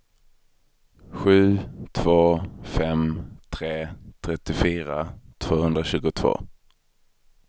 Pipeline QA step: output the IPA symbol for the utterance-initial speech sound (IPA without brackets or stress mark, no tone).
ɧ